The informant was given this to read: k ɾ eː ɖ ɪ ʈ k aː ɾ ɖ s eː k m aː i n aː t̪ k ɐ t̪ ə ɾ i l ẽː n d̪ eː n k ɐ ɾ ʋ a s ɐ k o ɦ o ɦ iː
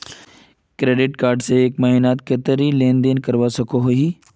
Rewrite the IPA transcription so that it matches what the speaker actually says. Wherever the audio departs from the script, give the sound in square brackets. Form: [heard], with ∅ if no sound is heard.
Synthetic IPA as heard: k ɾ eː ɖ ɪ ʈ k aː ɾ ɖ s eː k m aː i n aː t̪ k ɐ t̪ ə ɾ i l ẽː n d̪ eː n k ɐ ɾ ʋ a s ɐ k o ɦ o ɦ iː